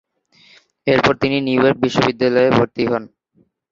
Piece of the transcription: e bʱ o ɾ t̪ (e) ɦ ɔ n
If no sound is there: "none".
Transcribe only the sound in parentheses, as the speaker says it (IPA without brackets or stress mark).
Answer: i